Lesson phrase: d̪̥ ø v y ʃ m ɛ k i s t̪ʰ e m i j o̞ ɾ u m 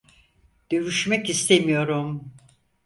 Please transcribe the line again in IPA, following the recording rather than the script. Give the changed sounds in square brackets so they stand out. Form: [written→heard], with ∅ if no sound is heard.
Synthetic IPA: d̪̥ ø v y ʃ m ɛ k i s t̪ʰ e m i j o̞ ɾ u m